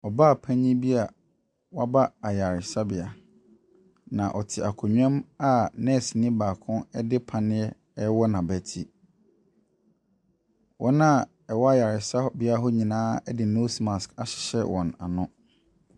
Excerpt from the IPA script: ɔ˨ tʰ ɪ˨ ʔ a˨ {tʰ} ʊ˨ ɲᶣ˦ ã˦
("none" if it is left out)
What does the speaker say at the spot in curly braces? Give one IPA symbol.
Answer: kʰ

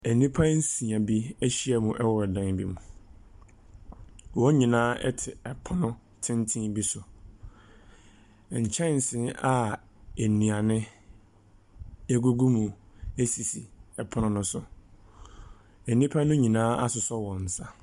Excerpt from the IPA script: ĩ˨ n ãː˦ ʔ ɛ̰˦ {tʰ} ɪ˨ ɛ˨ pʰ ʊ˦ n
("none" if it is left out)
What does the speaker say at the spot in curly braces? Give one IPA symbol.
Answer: tʰ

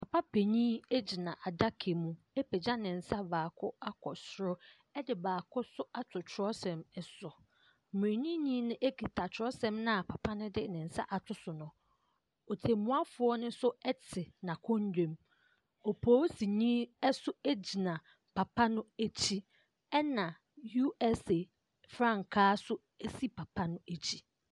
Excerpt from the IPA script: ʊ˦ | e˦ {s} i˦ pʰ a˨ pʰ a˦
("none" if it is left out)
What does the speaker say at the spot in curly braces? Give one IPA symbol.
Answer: s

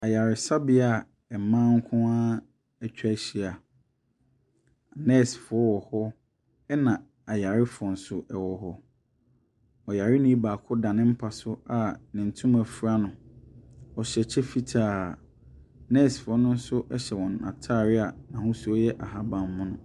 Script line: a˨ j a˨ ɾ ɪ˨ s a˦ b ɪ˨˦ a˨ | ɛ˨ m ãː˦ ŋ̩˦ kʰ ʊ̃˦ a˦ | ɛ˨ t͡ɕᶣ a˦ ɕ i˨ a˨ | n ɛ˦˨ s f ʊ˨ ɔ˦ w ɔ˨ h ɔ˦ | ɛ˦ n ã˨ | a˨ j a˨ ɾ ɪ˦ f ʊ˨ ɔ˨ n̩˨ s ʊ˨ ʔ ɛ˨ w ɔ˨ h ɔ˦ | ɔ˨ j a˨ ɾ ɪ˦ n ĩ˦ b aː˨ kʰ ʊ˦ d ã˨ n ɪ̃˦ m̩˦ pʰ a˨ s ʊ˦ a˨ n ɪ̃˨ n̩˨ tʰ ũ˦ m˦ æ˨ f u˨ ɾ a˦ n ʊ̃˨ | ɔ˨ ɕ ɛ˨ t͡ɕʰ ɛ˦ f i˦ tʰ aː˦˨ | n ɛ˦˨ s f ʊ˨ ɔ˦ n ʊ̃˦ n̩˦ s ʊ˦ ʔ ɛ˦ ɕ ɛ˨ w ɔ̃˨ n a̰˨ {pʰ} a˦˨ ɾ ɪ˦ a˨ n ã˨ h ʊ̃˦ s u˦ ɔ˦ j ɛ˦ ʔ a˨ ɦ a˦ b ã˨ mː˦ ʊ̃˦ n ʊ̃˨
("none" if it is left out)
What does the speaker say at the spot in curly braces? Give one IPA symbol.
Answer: tʰ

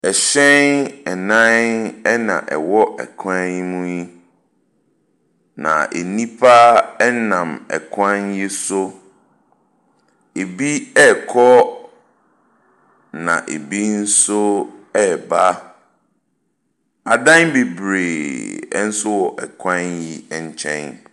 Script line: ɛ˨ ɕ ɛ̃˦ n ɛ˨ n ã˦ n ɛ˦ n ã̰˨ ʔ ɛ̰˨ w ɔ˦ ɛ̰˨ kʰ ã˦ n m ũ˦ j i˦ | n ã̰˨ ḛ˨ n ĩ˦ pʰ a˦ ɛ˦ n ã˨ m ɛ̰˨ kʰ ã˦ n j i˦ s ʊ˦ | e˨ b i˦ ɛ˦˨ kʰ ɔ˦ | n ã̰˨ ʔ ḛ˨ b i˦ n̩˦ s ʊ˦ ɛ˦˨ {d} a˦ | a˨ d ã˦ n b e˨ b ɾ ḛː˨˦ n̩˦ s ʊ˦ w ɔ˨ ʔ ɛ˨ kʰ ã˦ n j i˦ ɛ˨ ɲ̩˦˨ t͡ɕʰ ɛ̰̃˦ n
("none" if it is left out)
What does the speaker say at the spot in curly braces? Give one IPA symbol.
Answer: b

